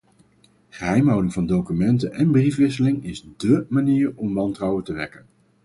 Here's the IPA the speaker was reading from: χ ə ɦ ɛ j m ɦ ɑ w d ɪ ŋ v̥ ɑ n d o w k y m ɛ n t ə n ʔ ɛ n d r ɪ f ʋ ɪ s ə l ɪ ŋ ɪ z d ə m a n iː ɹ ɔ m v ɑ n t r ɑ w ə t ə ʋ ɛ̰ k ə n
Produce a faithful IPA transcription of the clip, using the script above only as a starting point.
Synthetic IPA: χ ə ɦ ɛ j m ɦ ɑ w d ɪ ŋ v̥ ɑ n d o w k y m ɛ n t ə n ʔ ɛ n b r i f ʋ ɪ s ə l ɪ ŋ ɪ z d ə m a n iː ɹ ɔ m ʋ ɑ n t r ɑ w ə t ə ʋ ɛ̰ k ə n